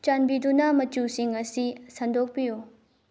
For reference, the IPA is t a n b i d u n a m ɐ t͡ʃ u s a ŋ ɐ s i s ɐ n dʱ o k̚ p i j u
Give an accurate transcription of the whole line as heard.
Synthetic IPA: t͡ʃ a n b i d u n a m ɐ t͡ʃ u s i ŋ ɐ s i s ɐ n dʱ o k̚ p i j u